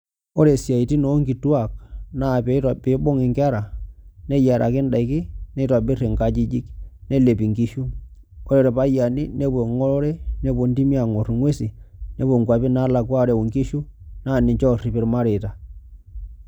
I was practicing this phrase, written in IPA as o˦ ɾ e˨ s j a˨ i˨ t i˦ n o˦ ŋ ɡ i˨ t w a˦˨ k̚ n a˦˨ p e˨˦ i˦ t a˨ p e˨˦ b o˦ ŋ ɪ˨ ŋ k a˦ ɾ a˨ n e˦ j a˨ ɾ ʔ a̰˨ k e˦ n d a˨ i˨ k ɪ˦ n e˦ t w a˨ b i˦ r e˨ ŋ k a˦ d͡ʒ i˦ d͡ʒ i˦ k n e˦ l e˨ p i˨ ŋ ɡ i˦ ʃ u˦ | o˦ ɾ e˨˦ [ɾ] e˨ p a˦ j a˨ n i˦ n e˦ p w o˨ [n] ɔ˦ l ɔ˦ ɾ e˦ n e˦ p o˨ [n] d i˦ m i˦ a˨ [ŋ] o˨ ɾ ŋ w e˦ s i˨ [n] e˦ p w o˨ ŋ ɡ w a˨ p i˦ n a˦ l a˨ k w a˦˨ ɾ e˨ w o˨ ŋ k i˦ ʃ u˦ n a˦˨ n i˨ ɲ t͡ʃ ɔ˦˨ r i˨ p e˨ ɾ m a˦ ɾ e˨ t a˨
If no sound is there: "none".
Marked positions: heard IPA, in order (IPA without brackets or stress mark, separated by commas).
ɾ, ŋ, n, ŋ, n